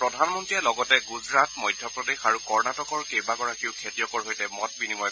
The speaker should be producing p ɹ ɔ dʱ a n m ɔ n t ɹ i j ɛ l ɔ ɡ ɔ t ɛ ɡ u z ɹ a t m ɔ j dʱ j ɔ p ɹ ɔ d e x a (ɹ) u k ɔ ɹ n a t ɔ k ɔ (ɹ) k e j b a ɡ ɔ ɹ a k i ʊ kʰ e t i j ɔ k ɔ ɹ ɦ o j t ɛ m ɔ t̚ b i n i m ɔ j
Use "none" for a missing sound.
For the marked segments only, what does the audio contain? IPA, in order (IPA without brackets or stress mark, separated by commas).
ɹ, ɹ